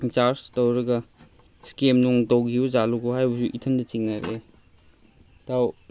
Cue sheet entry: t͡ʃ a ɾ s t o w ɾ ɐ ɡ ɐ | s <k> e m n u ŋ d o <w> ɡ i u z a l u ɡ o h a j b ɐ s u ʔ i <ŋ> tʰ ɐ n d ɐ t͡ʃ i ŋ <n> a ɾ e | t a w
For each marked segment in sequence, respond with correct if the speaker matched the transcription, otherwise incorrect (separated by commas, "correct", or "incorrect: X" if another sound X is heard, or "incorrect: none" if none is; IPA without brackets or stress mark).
correct, correct, incorrect: none, correct